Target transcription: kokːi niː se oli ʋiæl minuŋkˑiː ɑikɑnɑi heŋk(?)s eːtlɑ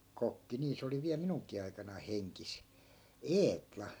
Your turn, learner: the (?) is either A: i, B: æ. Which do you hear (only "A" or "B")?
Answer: A